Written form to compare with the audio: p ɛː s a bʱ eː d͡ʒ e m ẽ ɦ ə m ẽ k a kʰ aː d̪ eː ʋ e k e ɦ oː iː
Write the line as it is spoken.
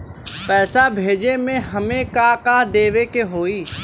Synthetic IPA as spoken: p ɛː s a bʱ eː d͡ʒ e m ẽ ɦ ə m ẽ k a k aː d̪ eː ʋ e k e ɦ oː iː